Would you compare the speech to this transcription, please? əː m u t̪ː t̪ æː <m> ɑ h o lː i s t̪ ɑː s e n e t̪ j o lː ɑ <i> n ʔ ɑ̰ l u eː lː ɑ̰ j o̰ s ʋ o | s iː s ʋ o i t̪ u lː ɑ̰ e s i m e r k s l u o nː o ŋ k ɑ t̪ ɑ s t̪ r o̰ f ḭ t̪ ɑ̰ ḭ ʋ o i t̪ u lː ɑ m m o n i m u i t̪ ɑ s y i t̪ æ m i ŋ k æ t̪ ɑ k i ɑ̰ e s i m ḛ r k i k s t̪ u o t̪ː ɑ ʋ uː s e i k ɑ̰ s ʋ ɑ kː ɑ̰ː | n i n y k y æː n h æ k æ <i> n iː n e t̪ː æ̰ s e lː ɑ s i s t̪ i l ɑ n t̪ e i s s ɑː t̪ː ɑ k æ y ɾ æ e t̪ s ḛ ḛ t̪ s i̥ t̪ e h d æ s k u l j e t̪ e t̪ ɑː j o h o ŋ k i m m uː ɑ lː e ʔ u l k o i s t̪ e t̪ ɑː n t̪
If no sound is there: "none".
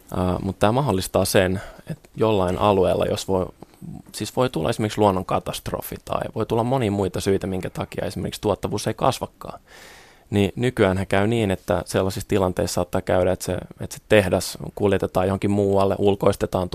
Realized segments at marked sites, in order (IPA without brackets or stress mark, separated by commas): m, i, y